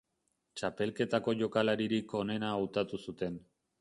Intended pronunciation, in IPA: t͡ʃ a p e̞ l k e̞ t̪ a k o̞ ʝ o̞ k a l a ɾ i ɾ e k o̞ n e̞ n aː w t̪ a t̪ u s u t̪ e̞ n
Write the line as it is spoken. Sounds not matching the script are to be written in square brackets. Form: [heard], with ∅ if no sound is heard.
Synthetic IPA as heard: t͡ʃ a p e̞ l k e̞ t̪ a k o̞ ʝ o̞ k a l a ɾ i ɾ [i] k o̞ n e̞ n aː w t̪ a t̪ u s u t̪ e̞ n